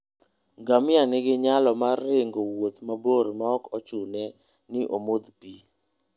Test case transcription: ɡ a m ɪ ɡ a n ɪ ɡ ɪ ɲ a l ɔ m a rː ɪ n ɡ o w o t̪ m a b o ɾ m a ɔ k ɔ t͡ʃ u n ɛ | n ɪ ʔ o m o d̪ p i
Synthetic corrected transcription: ɡ a m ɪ a n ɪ ɡ ɪ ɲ a l ɔ m a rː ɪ ŋ ɡ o w o t̪ m a b o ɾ m a ɔ k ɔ t͡ʃ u n ɛ | n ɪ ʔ o m o d̪ p i